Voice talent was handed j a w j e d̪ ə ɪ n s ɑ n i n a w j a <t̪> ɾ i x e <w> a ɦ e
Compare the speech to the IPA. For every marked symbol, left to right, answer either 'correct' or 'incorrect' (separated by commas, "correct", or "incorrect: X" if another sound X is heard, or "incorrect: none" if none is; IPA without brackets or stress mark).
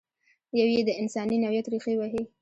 correct, correct